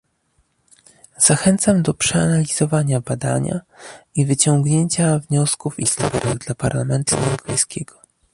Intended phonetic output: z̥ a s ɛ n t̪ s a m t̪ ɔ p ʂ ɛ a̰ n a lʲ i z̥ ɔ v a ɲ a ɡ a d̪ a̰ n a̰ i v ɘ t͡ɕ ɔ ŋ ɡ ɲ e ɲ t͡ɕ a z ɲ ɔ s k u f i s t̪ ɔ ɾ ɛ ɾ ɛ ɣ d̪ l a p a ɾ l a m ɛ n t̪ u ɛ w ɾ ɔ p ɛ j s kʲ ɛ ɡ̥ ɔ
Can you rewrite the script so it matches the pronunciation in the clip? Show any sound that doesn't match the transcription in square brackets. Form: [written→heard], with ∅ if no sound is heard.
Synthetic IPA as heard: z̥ a [s→x] ɛ n t̪ s a m [t̪→d̪] ɔ p ʂ ɛ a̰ n a lʲ i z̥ ɔ v a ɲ a [ɡ→b] a d̪ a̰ [n→ɲ] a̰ i v ɘ t͡ɕ ɔ ŋ ɡ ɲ e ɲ t͡ɕ a [z→v] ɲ ɔ s k u f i s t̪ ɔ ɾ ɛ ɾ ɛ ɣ d̪ l a p a ɾ l a m ɛ n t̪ u ɛ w ɾ ɔ p ɛ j s kʲ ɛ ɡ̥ ɔ